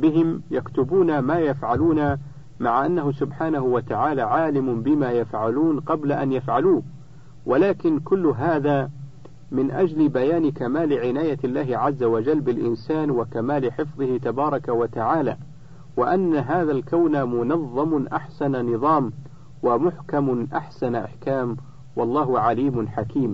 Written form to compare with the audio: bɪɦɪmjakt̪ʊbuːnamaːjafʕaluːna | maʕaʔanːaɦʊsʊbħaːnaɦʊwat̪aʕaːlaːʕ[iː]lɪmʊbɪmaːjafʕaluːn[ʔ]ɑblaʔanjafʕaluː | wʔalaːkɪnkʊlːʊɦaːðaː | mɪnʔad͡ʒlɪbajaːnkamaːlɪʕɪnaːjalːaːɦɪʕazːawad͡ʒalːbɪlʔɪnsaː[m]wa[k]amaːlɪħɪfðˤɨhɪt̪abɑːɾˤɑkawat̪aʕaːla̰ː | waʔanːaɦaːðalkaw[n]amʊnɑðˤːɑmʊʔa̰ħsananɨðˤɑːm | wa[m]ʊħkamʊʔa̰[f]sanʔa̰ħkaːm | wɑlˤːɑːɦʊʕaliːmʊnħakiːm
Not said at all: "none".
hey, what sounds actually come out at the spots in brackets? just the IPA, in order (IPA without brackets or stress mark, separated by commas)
aː, q, n, k, n, m, ħ